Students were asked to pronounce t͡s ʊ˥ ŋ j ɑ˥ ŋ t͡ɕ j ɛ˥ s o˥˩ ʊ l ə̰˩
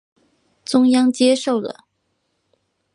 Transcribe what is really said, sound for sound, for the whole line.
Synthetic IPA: t͡s ʊ˥ ŋ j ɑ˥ ŋ t͡ɕ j ɛ˥ ʂ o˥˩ ʊ l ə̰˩